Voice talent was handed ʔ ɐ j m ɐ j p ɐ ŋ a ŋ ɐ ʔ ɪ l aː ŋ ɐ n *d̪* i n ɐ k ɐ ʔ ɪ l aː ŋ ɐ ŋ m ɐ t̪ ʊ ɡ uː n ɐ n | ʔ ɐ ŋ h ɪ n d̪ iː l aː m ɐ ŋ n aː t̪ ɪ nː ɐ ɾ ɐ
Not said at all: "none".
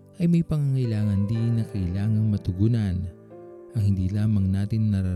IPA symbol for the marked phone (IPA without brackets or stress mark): d̪